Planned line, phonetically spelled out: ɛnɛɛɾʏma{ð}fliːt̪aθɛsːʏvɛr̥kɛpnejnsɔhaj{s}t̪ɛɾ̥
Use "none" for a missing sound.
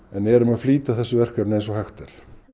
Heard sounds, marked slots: ð, x

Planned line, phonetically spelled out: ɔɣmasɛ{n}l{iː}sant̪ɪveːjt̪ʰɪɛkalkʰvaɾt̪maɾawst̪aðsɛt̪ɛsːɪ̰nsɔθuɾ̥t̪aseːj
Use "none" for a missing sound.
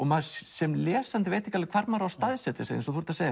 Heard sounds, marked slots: m, ɛː

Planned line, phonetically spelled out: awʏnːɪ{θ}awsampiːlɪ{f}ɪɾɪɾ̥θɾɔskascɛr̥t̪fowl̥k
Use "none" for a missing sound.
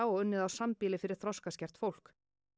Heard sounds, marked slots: ð, f

